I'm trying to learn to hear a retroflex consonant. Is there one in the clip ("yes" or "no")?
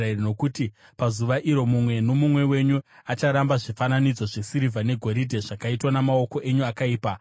yes